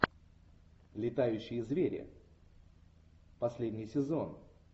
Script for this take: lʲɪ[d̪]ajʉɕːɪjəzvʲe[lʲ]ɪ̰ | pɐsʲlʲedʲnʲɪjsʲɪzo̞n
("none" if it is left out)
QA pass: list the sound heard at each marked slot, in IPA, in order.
t̪, ɾʲ

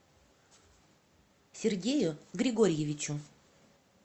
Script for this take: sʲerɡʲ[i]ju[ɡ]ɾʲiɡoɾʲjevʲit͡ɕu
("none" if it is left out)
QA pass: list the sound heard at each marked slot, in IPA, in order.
e, ɡ

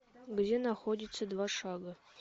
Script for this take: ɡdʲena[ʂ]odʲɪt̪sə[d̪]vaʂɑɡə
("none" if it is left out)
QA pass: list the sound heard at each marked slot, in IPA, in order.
x, d̪

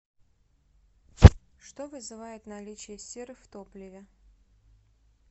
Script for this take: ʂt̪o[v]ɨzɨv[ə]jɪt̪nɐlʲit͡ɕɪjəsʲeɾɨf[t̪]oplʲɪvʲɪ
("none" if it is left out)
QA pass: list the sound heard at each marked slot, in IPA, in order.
v, a, t̪

